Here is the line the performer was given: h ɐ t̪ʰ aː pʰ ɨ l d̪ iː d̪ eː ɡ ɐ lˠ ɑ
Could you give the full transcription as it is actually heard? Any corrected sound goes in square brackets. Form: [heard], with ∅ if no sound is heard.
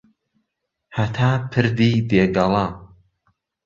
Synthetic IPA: h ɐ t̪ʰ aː pʰ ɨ [ɾ] d̪ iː d̪ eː ɡ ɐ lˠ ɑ